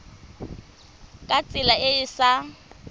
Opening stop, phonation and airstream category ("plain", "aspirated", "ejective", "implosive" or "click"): ejective